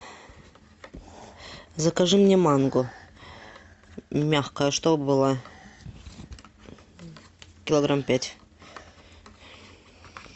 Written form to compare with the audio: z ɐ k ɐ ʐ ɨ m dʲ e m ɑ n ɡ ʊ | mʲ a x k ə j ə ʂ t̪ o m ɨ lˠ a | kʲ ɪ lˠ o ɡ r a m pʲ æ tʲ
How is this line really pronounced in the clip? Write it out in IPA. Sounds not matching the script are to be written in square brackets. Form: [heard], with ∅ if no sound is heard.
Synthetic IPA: z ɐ k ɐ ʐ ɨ m [nʲ] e m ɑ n ɡ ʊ | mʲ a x k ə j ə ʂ t̪ o [b] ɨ lˠ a | kʲ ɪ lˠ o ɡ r a m pʲ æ tʲ